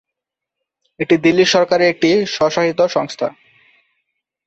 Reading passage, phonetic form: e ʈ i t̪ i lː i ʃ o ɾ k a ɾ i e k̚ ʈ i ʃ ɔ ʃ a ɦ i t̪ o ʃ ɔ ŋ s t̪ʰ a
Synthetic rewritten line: e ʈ i d̪ i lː i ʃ ɔ ɾ k a ɾ e e k̚ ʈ i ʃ ɔ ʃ a ɦ i t̪ o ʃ ɔ ŋ s t̪ʰ a

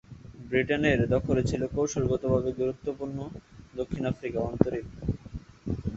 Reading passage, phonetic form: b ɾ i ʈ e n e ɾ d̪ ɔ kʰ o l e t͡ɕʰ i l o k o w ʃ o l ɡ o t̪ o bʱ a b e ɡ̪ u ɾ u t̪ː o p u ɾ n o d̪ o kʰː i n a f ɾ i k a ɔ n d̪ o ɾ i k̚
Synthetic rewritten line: b ɾ i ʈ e n e ɾ d̪ ɔ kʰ o l e t͡ɕʰ i l o k o w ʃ o l ɡ o t̪ o bʱ a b e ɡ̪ u ɾ u t̪ː o p u ɾ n o d̪ o kʰː i n a f ɾ i k a ɔ n t̪ o ɾ i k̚

